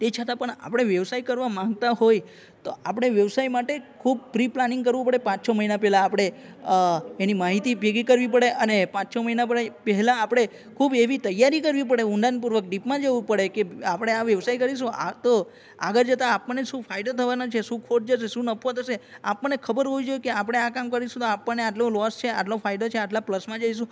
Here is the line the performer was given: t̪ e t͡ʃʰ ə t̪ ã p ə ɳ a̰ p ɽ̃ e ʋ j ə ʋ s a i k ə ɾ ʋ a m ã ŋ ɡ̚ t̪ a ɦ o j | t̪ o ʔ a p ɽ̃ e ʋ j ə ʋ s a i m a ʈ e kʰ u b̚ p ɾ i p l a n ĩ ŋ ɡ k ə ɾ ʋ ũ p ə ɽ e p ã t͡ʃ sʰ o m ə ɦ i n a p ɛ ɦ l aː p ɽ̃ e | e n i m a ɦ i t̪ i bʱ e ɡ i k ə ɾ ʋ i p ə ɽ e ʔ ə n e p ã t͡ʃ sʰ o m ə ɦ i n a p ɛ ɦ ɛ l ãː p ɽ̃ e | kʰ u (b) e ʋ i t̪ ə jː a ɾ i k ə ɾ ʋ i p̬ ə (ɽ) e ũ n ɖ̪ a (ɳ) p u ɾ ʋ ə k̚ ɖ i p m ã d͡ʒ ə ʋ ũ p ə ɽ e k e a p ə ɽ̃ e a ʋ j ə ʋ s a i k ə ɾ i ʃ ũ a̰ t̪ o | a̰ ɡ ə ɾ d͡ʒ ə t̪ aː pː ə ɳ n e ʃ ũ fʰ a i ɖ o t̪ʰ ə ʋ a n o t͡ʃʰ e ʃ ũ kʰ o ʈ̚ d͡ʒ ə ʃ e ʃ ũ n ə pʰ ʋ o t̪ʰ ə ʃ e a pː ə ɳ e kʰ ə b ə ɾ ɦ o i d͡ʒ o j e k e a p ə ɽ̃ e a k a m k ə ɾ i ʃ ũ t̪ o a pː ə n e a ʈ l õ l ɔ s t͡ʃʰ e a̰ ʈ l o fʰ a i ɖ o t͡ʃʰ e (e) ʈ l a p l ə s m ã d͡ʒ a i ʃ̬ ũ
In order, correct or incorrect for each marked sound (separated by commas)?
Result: correct, correct, incorrect, incorrect